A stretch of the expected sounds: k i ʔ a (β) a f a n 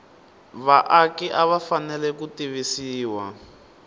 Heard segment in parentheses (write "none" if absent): β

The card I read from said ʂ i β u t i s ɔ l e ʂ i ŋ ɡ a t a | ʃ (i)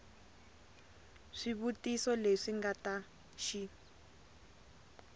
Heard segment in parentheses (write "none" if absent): i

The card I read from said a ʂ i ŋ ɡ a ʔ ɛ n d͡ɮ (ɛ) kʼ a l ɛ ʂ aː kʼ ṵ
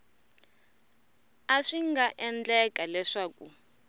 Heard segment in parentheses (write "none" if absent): ɛ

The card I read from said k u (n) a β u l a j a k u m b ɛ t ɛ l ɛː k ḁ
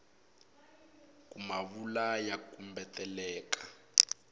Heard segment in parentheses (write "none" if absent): m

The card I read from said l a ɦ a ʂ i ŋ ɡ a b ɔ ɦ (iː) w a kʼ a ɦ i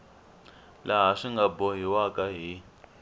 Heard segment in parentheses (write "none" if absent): i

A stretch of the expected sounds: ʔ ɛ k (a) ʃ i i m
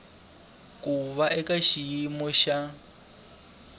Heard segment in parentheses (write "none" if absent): a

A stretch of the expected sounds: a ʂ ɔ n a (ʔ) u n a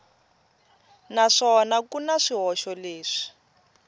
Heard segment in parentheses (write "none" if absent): k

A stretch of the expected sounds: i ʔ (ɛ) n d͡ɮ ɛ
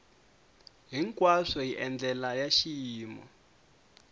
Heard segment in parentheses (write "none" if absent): ɛ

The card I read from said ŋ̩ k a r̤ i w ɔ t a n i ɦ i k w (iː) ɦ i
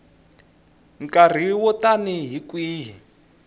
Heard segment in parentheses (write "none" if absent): iː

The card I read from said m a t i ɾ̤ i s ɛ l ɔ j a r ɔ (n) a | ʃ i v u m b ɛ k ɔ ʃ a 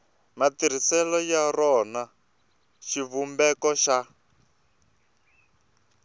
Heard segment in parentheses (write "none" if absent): n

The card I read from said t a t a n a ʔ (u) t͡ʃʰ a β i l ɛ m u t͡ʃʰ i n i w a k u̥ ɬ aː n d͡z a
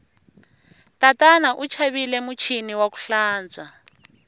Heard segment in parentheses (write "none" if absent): u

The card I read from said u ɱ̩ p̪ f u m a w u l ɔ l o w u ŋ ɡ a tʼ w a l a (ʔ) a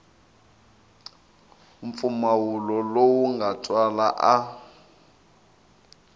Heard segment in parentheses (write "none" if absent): ʔ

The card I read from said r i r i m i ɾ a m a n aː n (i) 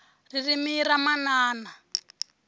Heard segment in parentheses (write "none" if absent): a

